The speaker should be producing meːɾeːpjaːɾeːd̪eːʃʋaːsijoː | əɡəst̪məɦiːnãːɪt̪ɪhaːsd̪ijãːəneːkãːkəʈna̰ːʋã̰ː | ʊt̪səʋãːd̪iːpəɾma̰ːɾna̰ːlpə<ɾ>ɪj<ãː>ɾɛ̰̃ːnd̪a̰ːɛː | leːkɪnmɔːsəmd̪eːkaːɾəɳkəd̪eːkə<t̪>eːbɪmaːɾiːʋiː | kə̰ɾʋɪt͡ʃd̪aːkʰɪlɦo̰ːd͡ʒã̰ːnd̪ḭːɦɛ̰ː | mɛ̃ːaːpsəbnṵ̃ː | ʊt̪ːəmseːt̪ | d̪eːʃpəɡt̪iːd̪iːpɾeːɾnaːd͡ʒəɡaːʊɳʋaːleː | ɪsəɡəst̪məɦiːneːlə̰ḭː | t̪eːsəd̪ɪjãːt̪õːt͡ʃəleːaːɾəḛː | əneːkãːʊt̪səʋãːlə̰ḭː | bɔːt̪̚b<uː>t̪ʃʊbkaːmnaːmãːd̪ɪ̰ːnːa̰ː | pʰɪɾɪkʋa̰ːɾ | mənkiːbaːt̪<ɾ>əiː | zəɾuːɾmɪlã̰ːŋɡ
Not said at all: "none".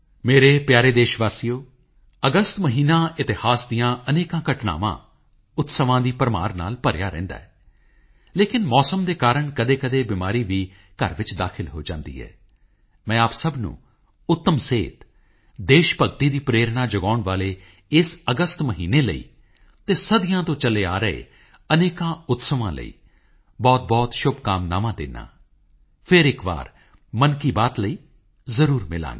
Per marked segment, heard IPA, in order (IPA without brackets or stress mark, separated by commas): ɾ, aː, d̪, ɔː, l